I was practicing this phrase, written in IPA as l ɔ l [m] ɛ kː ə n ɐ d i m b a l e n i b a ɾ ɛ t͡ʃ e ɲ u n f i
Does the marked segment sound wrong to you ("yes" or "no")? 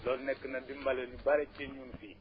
yes